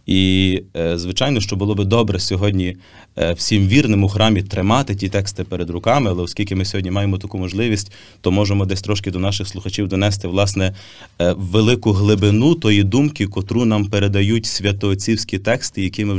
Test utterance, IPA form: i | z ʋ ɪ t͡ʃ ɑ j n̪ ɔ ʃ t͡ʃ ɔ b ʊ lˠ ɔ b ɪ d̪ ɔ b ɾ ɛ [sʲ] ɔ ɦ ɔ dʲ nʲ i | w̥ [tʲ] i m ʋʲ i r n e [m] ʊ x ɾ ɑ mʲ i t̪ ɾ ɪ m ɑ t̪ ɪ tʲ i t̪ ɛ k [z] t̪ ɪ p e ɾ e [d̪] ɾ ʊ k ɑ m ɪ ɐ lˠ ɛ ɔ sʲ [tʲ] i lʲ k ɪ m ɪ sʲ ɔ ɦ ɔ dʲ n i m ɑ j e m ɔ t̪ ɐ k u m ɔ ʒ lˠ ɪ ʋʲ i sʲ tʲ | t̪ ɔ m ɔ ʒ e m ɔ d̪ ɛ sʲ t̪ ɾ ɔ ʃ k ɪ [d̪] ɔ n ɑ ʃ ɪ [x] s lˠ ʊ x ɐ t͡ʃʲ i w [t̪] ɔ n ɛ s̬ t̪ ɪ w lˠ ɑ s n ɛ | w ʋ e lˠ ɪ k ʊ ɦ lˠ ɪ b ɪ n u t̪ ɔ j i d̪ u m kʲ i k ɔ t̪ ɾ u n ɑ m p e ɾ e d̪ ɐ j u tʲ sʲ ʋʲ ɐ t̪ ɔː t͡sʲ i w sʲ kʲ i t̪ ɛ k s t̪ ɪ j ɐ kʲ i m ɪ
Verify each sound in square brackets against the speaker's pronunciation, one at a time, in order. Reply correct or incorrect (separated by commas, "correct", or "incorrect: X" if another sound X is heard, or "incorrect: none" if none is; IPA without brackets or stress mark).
correct, incorrect: sʲ, correct, incorrect: s, correct, incorrect: kʲ, correct, correct, incorrect: d̪